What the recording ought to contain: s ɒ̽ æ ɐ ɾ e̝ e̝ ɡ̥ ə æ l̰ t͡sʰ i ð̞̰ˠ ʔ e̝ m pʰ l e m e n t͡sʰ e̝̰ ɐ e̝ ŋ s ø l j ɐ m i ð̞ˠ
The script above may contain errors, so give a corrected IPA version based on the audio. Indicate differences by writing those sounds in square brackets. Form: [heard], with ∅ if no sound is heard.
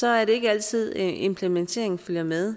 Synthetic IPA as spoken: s ɒ̽ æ ɐ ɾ e̝ e̝ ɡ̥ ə æ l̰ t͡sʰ i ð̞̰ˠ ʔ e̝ m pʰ l e m e n t͡sʰ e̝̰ ɐ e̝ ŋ [f] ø l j ɐ m [e] ð̞ˠ